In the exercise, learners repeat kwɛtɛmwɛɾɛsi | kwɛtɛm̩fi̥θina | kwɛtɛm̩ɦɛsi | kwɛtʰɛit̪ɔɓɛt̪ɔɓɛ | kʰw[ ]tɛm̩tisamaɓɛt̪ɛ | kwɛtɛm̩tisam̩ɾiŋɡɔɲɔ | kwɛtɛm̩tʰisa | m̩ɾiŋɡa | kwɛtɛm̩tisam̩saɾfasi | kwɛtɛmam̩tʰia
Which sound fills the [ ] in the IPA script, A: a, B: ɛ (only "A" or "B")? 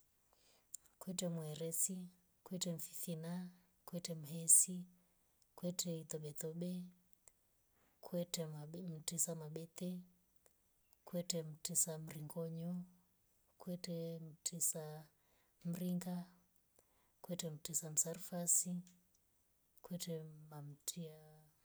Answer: B